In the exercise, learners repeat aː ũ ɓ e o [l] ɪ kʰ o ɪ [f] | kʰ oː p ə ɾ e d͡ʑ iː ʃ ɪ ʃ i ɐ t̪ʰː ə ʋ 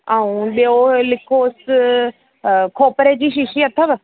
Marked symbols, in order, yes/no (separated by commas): yes, no